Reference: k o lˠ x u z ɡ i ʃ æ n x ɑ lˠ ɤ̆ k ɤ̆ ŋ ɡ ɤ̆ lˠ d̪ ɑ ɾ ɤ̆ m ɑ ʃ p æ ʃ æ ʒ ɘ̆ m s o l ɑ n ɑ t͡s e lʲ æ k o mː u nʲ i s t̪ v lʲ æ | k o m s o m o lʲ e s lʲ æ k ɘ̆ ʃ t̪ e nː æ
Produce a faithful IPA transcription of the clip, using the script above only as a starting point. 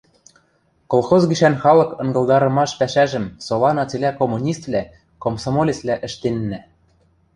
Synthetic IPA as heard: k o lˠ x o z ɡ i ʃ æ n x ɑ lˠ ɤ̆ k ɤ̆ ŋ ɡ ɤ̆ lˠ d̪ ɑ ɾ ɤ̆ m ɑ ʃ p æ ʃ æ ʒ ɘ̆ m s o l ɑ n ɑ t͡s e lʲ æ k o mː u nʲ i s t̪ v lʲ æ | k o m s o m o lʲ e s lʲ æ ʔ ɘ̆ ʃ t̪ e nː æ